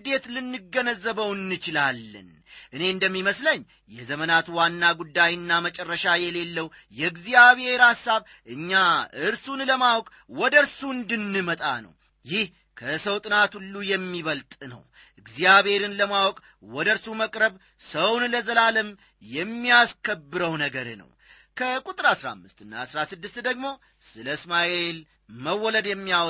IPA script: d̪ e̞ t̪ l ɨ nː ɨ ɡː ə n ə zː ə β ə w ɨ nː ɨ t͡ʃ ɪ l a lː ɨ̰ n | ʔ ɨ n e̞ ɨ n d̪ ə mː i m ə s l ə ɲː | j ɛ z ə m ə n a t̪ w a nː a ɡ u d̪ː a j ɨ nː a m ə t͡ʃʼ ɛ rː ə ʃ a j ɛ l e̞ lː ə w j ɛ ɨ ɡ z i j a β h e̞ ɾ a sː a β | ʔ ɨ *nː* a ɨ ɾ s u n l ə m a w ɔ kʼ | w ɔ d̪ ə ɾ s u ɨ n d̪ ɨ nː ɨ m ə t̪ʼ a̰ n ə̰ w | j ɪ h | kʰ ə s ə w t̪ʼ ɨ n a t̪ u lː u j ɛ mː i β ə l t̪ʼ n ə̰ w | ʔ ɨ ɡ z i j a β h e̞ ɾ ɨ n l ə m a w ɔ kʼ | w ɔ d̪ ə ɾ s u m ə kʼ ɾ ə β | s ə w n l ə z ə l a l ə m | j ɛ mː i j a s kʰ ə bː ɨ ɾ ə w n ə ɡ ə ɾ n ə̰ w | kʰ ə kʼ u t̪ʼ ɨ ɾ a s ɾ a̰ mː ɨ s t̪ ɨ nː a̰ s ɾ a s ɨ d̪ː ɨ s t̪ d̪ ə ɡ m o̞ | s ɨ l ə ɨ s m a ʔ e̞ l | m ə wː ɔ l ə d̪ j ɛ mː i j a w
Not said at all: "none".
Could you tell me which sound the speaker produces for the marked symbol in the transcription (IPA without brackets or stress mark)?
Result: ɲː